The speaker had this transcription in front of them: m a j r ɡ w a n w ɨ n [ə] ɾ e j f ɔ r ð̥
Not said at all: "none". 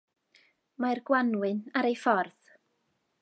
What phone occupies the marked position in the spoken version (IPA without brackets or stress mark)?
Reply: a